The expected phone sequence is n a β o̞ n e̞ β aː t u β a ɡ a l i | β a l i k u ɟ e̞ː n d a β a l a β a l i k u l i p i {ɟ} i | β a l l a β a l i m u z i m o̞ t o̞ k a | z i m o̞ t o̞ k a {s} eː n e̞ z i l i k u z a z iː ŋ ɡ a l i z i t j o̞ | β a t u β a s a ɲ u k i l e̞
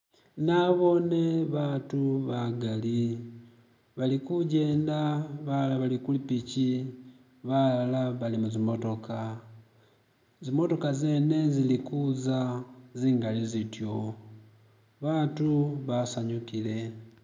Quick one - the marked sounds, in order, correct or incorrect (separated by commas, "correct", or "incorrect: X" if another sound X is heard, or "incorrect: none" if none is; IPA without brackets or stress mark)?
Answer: incorrect: c, incorrect: z